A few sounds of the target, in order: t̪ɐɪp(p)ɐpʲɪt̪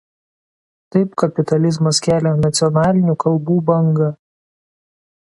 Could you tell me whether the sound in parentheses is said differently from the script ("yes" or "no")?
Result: yes